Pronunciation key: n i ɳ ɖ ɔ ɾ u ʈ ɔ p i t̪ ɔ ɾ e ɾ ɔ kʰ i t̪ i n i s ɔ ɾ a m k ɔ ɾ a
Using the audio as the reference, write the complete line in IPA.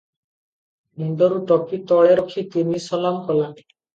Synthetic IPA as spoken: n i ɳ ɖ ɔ ɾ u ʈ ɔ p i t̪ ɔ ɭ e ɾ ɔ kʰ i t̪ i n i s ɔ l a m k ɔ l a